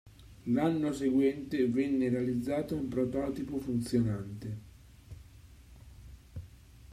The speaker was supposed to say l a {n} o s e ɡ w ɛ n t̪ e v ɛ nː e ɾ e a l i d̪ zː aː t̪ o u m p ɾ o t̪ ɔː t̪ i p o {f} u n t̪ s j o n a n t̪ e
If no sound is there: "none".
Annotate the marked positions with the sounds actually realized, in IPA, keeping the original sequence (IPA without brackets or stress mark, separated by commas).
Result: nː, f